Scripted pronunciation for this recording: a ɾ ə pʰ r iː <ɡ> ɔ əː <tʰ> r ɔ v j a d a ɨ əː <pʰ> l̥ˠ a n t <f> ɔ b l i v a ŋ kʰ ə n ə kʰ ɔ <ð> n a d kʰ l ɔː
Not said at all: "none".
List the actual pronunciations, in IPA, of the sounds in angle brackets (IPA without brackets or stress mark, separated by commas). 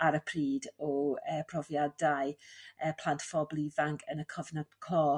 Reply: d, pʰ, pʰ, f, v